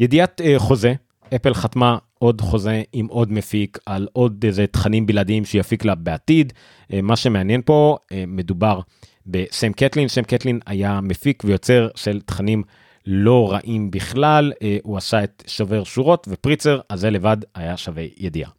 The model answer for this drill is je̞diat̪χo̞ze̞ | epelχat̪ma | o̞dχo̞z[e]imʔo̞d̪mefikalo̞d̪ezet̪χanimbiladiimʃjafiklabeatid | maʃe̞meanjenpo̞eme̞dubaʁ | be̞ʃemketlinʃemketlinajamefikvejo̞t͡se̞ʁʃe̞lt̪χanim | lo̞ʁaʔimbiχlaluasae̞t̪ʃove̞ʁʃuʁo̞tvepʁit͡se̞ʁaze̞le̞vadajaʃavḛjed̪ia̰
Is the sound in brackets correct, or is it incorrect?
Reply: correct